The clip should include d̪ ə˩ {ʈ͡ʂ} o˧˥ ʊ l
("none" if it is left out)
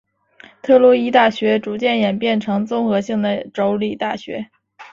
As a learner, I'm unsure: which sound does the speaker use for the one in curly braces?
ʈ͡ʂ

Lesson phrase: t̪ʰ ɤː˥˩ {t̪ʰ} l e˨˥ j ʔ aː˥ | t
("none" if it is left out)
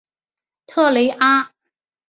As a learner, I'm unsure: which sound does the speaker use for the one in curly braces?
none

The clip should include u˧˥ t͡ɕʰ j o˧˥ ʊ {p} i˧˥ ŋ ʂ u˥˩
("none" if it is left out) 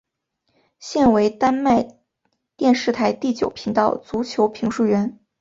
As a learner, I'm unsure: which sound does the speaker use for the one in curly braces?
pʰ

